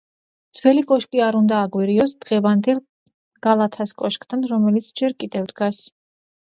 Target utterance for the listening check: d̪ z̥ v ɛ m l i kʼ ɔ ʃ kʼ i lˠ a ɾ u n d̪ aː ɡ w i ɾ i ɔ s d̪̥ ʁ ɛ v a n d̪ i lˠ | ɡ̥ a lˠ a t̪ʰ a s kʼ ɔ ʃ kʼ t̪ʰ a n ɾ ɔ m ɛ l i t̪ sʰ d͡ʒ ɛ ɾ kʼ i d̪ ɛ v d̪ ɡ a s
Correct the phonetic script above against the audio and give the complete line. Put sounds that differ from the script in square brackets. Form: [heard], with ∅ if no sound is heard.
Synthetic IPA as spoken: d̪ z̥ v ɛ [∅] l i kʼ ɔ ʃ kʼ i [∅] a ɾ u n d̪ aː ɡ w i ɾ i ɔ s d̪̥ ʁ ɛ v a n d̪ [ɛ] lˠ | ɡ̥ a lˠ a t̪ʰ a s kʼ ɔ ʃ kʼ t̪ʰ a n ɾ ɔ m ɛ l i t̪ sʰ d͡ʒ ɛ ɾ kʼ i d̪ ɛ v d̪ ɡ a s